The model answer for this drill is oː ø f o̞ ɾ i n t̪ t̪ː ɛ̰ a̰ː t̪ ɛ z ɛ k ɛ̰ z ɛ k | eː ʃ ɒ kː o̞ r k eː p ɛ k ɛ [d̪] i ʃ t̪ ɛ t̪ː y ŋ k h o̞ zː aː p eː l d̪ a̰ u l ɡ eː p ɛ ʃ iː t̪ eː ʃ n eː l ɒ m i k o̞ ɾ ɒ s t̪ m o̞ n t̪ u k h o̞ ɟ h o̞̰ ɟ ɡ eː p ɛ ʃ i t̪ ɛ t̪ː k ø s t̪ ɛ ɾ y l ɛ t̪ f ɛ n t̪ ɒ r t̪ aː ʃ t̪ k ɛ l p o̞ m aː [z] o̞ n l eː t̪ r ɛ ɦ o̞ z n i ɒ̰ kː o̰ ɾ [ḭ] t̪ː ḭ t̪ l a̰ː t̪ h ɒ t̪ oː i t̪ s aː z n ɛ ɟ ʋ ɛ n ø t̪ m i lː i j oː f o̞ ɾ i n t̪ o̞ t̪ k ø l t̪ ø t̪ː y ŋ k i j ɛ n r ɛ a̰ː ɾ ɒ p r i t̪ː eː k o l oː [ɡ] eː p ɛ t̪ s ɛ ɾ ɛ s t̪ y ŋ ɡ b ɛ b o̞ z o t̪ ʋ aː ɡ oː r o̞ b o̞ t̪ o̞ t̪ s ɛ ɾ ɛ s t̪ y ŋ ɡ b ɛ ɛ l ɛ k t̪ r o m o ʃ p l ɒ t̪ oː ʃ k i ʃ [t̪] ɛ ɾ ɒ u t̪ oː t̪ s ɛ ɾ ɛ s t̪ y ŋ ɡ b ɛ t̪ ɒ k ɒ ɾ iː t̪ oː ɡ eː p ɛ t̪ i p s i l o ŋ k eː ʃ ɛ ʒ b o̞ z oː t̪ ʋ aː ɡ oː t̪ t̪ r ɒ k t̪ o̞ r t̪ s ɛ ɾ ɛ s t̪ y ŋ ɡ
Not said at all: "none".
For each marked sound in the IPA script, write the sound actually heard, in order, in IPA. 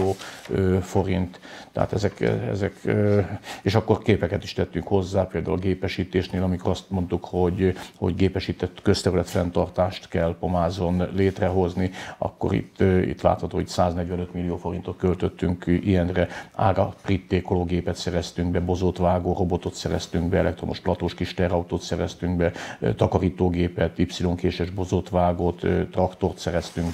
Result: t̪, z, ḭ, ɡ, t̪

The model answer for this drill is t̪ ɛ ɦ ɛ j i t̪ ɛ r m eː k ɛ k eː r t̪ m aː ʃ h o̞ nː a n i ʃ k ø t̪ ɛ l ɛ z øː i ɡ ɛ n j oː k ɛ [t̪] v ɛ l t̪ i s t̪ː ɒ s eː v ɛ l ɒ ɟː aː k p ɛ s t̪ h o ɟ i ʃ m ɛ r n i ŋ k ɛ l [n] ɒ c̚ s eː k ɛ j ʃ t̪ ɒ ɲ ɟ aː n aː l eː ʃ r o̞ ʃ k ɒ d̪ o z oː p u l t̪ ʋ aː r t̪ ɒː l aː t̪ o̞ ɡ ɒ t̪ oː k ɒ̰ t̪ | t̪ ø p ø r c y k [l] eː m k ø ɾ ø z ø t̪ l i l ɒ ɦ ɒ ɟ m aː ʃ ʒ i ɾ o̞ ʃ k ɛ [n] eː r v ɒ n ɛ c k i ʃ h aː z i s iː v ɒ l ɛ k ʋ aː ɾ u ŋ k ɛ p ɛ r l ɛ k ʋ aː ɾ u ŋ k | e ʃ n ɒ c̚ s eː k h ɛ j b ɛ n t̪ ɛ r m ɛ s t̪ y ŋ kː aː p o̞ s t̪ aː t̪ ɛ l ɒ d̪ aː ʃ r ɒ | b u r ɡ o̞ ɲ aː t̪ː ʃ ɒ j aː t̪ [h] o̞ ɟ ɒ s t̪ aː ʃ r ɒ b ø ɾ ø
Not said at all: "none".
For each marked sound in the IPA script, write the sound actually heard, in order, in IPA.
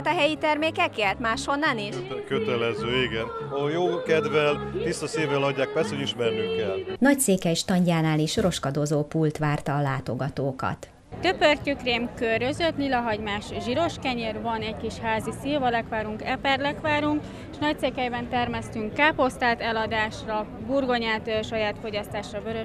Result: d̪, n, r, ɲ, f

